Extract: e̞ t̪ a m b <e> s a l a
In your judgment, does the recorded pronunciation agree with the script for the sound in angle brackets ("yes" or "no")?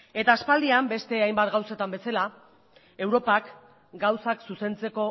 yes